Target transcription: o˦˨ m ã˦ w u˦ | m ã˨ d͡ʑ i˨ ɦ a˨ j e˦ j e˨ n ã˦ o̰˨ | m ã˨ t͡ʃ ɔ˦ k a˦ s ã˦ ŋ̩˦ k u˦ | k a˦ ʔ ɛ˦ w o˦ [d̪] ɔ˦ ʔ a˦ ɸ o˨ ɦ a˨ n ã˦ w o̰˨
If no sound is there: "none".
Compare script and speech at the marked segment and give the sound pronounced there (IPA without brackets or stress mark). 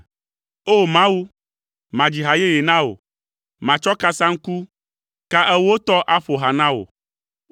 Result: t̪